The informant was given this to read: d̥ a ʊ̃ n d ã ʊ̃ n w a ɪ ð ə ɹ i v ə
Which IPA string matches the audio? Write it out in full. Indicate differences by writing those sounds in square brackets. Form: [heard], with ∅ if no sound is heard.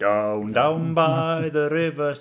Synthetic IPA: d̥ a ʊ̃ n d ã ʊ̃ n [b] a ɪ ð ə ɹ [ɪ] v ə